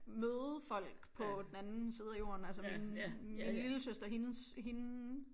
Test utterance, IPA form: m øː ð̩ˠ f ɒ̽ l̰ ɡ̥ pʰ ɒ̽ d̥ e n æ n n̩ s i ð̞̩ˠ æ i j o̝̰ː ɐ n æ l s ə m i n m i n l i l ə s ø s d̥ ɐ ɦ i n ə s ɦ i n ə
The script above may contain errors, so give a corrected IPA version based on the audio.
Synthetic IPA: m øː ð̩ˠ f ɒ̽ l̰ ɡ̥ pʰ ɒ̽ d̥ e n æ n n̩ s i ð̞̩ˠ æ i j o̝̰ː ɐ n æ l s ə m i n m i n l i l ə s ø s d̥ ɐ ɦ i n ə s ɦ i n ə